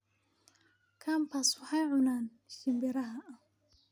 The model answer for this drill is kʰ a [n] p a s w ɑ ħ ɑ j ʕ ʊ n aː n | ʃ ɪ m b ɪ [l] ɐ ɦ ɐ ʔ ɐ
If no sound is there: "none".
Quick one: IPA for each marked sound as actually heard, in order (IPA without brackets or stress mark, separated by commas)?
m, ɾ